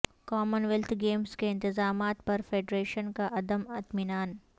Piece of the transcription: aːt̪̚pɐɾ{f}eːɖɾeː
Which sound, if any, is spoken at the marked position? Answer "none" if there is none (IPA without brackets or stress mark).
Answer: f